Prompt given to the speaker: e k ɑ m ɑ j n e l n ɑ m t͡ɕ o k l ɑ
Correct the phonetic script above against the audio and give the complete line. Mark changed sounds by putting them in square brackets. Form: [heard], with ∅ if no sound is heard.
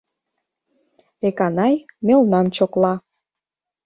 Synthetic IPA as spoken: e k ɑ [n] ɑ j [m] e l n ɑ m t͡ɕ o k l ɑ